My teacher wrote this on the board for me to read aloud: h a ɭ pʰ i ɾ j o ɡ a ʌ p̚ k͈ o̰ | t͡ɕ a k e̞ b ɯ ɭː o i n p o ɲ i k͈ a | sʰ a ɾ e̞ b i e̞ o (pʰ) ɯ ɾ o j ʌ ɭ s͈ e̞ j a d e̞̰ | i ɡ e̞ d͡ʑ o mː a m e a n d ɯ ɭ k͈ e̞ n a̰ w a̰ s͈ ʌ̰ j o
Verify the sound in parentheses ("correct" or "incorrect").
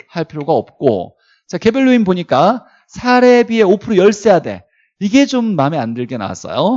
correct